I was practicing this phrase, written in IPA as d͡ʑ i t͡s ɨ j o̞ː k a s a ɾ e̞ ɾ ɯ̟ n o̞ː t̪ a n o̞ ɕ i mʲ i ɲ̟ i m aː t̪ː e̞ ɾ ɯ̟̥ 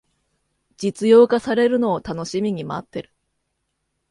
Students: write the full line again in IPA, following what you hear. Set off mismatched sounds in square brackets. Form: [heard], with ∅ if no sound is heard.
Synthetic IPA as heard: d͡ʑ i t͡s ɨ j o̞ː k a s a ɾ e̞ ɾ ɯ̟ n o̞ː t̪ a n o̞ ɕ i mʲ i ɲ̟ i m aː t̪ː e̞ ɾ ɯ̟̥

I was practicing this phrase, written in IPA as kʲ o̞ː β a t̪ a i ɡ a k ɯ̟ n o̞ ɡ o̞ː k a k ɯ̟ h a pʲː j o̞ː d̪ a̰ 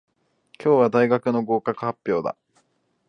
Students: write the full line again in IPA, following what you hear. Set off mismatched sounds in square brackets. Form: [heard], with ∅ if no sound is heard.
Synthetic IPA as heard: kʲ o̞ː β a [d̪] a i ɡ a k ɯ̟ n o̞ ɡ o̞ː k a k ɯ̟ h a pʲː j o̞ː d̪ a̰

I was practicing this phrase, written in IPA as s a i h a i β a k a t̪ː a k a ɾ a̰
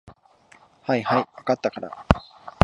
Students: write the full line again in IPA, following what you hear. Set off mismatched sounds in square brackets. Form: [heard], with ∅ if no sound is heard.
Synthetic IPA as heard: [h] a i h a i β a k a t̪ː a k a ɾ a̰

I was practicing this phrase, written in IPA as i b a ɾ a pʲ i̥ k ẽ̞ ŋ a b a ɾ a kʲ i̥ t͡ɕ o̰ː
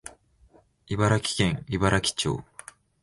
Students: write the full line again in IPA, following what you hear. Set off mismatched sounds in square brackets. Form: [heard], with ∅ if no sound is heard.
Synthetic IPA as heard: i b a ɾ a [kʲ] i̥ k ẽ̞ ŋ [i] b a ɾ a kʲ i̥ t͡ɕ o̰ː

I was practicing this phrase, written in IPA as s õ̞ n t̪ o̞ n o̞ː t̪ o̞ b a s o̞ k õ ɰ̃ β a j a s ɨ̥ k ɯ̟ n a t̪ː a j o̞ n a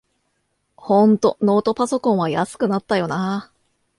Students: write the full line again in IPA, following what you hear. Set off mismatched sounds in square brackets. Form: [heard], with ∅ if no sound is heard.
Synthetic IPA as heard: [h] õ̞ n t̪ o̞ n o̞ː t̪ o̞ [p] a s o̞ k õ ɰ̃ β a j a s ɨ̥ k ɯ̟ n a t̪ː a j o̞ n a

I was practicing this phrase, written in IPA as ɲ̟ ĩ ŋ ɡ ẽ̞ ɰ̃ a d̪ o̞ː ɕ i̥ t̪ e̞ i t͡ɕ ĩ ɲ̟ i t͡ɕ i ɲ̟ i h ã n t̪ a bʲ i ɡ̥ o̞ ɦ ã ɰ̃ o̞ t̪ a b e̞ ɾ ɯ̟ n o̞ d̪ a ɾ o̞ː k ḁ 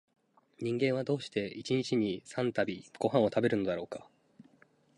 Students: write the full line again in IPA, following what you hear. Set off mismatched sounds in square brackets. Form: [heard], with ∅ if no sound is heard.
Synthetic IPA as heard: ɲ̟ ĩ ŋ ɡ ẽ̞ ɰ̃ a d̪ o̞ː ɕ i̥ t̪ e̞ i t͡ɕ [i] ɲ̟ i t͡ɕ i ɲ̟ i [s] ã n t̪ a bʲ i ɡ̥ o̞ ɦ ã ɰ̃ o̞ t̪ a b e̞ ɾ ɯ̟ n o̞ d̪ a ɾ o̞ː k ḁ

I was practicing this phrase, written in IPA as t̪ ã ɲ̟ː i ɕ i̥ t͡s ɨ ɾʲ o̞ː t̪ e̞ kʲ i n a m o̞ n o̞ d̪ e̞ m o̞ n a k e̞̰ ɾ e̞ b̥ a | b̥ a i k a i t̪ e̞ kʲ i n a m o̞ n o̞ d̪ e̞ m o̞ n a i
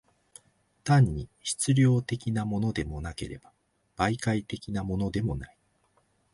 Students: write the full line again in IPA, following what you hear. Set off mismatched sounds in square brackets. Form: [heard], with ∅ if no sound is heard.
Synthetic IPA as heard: t̪ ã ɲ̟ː i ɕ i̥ t͡s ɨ ɾʲ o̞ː t̪ e̞ kʲ i n a m o̞ n o̞ d̪ e̞ m o̞ n a k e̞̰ ɾ e̞ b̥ a | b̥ a i k a i t̪ e̞ kʲ i n a m o̞ n o̞ d̪ e̞ m o̞ n a i

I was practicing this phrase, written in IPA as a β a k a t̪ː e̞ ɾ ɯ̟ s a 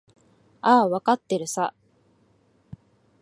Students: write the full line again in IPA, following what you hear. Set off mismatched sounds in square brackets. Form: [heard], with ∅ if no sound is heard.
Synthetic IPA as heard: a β a k a t̪ː e̞ ɾ ɯ̟ s a

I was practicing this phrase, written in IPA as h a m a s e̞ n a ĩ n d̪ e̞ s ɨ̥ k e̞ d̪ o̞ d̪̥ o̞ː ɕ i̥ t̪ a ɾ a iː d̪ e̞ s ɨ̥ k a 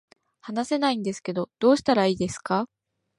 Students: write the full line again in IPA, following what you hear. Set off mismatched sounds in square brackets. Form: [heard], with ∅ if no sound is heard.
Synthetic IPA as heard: h a [n] a s e̞ n a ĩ n d̪ e̞ s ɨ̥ k e̞ d̪ o̞ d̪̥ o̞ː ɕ i̥ t̪ a ɾ a iː d̪ e̞ s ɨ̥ k a

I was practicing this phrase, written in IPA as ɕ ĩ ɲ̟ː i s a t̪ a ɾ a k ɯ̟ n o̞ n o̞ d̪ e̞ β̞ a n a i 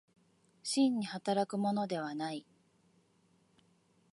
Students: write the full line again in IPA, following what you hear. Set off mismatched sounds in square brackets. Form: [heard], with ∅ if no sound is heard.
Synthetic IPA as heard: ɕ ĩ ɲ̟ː i [h] a t̪ a ɾ a k ɯ̟ [m] o̞ n o̞ d̪ e̞ β̞ a n a i

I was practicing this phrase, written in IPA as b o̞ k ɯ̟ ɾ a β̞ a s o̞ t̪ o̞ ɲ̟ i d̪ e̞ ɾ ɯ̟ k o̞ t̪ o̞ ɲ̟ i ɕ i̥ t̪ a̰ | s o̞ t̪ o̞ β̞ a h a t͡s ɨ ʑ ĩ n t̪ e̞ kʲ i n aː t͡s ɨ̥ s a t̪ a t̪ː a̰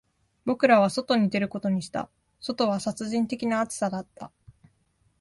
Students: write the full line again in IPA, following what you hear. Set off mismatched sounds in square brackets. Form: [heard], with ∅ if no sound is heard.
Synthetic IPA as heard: b o̞ k ɯ̟ ɾ a β̞ a s o̞ t̪ o̞ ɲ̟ i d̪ e̞ ɾ ɯ̟ k o̞ t̪ o̞ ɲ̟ i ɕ i̥ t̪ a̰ | s o̞ t̪ o̞ β̞ a [s] a t͡s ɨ ʑ ĩ n t̪ e̞ kʲ i n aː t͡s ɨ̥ s a [d̪] a t̪ː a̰

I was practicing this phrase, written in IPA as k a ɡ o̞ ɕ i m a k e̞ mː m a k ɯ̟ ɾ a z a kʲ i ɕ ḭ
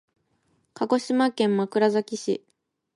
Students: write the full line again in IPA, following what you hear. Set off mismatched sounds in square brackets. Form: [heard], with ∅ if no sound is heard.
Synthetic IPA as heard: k a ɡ o̞ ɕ i m a k [ẽ̞] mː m a k ɯ̟ ɾ a z a kʲ i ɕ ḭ

